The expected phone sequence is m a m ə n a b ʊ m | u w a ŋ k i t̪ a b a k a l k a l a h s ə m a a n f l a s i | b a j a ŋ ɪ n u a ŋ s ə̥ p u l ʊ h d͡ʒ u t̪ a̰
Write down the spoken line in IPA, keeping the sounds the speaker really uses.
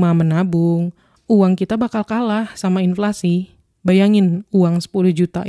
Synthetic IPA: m a m ə n a b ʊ ŋ | u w a ŋ k i t̪ a b a k a l k a l a h s a m a i n f l a s i | b a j a ŋ ɪ n u a ŋ s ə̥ p u l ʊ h d͡ʒ u t̪ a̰